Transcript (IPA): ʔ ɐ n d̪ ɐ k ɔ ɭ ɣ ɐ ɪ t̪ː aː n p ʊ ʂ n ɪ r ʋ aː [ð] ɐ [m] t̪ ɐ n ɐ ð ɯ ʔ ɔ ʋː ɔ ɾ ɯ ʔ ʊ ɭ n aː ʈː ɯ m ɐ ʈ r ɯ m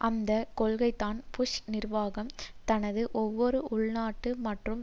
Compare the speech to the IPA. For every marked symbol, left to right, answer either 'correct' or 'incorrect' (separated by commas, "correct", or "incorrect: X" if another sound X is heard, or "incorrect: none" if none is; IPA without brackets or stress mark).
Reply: incorrect: ɣ, correct